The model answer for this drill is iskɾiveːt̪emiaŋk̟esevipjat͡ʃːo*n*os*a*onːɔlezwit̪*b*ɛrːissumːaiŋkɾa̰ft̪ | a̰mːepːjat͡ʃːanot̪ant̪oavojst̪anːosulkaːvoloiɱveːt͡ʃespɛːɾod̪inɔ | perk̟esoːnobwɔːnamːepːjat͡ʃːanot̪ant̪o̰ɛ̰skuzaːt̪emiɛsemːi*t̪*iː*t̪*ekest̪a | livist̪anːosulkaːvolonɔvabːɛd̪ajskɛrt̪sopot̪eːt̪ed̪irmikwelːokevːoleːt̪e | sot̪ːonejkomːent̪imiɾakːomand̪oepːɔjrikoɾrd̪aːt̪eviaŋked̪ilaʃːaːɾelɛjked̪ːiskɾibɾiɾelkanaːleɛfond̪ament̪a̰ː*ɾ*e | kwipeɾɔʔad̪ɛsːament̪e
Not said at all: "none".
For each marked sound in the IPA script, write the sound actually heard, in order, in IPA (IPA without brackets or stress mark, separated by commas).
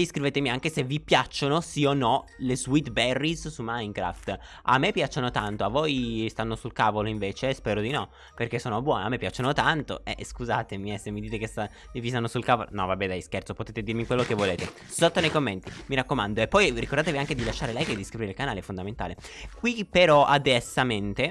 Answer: n, i, b, d̪, t̪, l